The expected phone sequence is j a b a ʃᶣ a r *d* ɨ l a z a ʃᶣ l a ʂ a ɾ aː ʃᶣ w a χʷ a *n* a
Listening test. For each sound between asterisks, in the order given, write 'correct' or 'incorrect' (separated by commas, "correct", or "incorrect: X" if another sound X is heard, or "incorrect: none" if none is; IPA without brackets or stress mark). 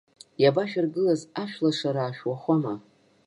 incorrect: ɡ, incorrect: m